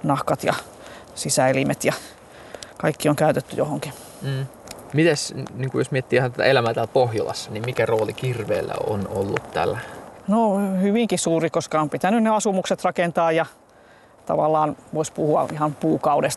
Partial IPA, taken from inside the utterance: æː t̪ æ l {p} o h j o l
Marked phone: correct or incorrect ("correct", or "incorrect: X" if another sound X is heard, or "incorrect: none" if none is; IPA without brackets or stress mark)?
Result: correct